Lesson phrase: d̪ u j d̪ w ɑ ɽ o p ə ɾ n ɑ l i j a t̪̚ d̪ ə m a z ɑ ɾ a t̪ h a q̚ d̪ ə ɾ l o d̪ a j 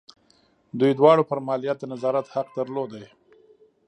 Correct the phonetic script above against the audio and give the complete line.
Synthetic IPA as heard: d̪ u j d̪ w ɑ ɽ o p ə ɾ m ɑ l i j a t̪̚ d̪ ə n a z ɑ ɾ a t̪ h a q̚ d̪ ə ɾ l o d̪ a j